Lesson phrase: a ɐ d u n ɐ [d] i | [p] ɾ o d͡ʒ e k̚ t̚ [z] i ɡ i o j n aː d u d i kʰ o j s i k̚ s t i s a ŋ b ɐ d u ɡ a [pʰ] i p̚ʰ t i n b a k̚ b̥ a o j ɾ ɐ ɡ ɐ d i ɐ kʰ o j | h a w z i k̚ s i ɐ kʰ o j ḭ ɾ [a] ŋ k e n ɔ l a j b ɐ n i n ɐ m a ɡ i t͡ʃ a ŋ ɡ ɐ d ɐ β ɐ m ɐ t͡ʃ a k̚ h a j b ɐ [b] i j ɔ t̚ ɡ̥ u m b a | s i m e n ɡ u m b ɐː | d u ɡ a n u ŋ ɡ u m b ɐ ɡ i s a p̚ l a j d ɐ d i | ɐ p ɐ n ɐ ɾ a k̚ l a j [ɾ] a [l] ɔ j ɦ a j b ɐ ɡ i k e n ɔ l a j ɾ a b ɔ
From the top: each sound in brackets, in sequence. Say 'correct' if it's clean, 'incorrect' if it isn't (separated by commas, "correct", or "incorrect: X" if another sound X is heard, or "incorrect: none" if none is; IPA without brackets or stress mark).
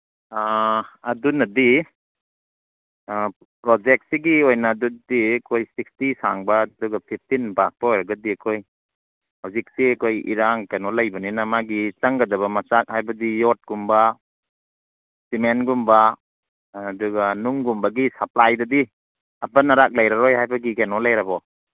correct, correct, incorrect: s, correct, correct, incorrect: d, correct, incorrect: ɾ